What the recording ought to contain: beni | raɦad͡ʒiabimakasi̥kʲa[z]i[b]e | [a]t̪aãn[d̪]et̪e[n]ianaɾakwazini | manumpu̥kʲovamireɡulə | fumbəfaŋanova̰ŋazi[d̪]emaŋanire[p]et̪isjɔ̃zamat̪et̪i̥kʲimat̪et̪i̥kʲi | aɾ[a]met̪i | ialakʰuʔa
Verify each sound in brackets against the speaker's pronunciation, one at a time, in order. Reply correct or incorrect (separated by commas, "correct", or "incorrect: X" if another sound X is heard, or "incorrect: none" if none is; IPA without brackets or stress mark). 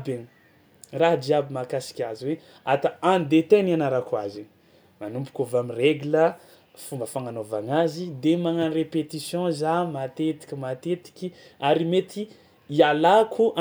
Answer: correct, incorrect: w, correct, correct, correct, correct, correct, incorrect: i